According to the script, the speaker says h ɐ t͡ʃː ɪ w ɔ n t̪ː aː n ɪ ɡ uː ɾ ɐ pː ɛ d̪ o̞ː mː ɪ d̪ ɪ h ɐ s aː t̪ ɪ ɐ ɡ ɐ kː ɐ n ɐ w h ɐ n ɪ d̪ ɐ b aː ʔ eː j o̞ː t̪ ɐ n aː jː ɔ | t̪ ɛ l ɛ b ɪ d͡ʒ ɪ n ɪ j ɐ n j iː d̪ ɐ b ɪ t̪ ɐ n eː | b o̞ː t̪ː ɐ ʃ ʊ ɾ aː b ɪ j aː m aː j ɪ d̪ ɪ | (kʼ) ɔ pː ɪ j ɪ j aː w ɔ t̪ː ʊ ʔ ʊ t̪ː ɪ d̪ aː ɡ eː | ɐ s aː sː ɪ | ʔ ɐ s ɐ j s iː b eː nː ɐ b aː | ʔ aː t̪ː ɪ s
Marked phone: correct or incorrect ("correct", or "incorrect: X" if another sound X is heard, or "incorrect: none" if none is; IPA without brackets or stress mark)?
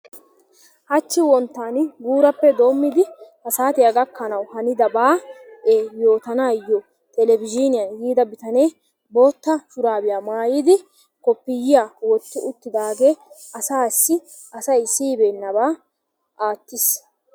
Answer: incorrect: k